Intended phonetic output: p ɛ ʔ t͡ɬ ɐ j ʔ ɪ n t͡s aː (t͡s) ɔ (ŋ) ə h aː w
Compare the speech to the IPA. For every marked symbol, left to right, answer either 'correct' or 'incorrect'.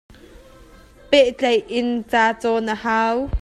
correct, incorrect: n

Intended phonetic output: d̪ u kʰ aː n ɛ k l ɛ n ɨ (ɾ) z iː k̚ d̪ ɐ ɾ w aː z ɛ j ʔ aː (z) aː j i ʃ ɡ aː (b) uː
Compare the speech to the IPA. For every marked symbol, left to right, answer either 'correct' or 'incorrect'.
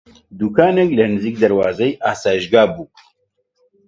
incorrect: none, incorrect: s, correct

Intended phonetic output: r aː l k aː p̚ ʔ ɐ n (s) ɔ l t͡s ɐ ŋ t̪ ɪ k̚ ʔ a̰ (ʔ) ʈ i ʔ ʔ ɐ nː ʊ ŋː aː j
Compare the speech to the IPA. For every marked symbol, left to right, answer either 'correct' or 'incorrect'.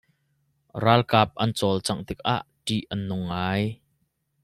incorrect: t͡s, correct

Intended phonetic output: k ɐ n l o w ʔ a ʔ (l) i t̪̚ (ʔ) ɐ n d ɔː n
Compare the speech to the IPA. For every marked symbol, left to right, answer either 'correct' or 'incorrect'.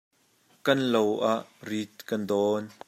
incorrect: r, incorrect: k

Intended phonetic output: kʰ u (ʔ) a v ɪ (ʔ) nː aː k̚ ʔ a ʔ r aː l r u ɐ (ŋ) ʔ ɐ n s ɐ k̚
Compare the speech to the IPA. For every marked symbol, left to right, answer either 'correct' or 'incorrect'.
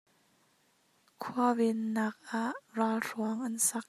incorrect: none, incorrect: none, correct

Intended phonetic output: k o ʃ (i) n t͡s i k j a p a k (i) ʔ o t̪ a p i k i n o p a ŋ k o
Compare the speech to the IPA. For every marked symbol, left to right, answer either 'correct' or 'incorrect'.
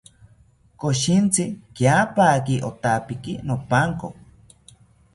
correct, correct

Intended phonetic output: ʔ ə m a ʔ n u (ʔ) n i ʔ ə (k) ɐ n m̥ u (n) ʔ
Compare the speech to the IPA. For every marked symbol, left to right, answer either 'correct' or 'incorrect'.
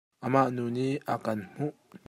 incorrect: none, correct, incorrect: none

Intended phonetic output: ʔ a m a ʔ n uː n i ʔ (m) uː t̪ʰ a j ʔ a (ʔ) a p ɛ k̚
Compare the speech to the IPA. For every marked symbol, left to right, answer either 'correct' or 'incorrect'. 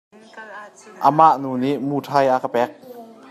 correct, incorrect: k

